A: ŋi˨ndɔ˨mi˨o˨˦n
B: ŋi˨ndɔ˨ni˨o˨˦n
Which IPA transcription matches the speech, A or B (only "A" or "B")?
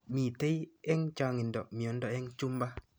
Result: A